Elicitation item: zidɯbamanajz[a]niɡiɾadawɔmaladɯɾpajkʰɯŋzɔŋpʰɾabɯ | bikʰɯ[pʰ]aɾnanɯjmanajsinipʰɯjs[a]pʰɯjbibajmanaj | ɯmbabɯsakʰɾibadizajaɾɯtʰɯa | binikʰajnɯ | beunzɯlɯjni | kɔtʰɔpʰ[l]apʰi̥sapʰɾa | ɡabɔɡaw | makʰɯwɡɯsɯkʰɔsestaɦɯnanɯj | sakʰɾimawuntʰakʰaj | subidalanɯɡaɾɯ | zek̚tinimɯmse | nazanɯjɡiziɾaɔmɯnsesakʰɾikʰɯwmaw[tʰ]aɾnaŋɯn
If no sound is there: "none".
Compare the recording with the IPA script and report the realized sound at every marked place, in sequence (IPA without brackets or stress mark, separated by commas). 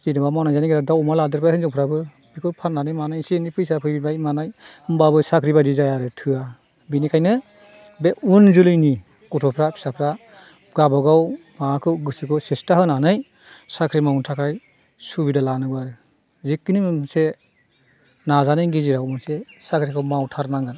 a, pʰ, a, ɾ, tʰ